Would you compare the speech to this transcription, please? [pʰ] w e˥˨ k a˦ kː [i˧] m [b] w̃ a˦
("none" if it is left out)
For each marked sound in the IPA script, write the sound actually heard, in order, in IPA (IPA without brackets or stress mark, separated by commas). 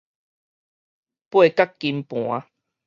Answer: p, i˧, p